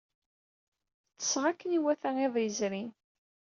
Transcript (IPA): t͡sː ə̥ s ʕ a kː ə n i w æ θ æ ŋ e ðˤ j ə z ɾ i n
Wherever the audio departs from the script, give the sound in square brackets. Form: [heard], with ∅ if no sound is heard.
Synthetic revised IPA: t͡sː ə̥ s [ʁ] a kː ə n i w æ θ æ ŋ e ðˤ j ə z ɾ i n